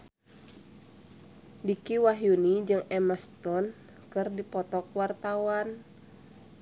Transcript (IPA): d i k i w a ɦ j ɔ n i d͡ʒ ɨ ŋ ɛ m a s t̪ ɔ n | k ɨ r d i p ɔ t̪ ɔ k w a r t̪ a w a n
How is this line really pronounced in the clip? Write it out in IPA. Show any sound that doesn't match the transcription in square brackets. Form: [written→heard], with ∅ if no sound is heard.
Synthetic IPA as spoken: d i k i w a ɦ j [ɔ→u] n i d͡ʒ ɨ ŋ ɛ m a s t̪ ɔ n | k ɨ r d i p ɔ t̪ ɔ k w a r t̪ a w a n